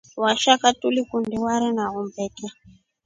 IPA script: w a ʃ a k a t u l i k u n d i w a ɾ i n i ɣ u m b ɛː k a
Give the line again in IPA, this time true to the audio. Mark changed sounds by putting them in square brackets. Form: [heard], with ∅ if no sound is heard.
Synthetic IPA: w a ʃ a k a t u l i k u n d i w a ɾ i n [a] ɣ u m b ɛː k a